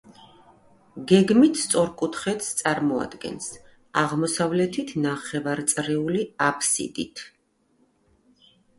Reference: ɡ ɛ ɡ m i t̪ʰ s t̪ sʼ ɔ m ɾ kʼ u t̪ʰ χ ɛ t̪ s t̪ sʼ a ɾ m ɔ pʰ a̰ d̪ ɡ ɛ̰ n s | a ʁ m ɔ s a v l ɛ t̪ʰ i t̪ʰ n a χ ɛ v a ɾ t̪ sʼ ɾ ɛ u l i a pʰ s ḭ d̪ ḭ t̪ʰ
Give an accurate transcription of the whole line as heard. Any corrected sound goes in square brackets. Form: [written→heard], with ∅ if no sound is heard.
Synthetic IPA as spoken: ɡ ɛ ɡ m i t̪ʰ s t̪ sʼ ɔ [m→∅] ɾ kʼ u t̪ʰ χ ɛ t̪ s t̪ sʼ a ɾ m ɔ [pʰ→∅] a̰ d̪ ɡ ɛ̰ n s | a ʁ m ɔ s a v l ɛ t̪ʰ i t̪ʰ n a χ ɛ v a ɾ t̪ sʼ ɾ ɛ u l i a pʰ s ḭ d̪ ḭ t̪ʰ